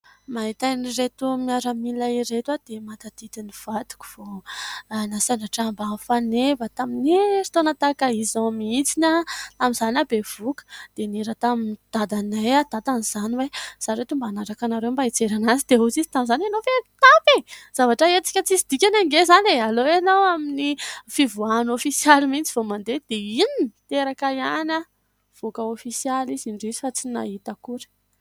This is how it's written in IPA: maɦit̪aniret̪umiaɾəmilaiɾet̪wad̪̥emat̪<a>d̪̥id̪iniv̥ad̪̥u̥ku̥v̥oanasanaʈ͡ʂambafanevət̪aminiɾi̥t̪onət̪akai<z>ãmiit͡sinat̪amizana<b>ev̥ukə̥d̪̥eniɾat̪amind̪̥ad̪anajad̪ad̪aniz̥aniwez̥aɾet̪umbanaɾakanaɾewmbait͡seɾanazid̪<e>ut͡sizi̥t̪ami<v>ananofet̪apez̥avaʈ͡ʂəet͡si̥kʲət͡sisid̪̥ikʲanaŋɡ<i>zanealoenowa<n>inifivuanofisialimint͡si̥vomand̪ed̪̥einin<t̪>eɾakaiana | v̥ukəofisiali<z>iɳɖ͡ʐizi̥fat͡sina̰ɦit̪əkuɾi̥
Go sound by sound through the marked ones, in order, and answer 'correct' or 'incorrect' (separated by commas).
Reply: correct, correct, correct, correct, incorrect, incorrect, incorrect, correct, correct